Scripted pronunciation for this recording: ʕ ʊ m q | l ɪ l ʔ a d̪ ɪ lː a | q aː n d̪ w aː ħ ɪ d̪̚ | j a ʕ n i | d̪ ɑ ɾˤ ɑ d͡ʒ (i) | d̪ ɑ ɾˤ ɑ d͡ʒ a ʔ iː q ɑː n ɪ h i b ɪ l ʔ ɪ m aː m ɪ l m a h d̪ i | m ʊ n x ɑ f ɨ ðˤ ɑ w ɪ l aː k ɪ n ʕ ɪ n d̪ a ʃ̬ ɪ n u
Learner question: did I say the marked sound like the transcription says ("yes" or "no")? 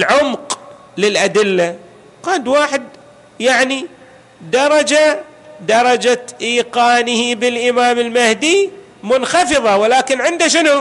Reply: no